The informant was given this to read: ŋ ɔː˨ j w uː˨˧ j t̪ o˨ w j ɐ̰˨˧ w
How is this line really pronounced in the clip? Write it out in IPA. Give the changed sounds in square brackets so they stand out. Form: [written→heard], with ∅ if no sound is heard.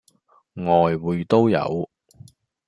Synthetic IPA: ŋ ɔː˨ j w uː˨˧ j t̪ [o˨→o˥] w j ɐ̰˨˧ w